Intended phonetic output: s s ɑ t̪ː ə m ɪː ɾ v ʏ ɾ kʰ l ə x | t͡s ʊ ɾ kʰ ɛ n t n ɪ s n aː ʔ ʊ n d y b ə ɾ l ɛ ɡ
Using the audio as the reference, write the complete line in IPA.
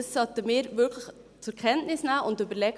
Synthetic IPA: s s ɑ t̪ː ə m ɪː ɾ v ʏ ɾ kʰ l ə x | t͡s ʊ ɾ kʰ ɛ n t n ɪ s n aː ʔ ʊ n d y b ə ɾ l ɛ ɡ